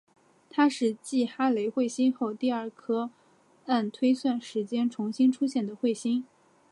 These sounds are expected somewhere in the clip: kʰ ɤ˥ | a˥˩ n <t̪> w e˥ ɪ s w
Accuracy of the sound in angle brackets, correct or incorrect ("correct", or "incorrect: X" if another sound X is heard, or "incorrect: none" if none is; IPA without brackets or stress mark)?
incorrect: t̪ʰ